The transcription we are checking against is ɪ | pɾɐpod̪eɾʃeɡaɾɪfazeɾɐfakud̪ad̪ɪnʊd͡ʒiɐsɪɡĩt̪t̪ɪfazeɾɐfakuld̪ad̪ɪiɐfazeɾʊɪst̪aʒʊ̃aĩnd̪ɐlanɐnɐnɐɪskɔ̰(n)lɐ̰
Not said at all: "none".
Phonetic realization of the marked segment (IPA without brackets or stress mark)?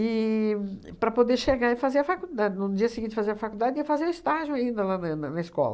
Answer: none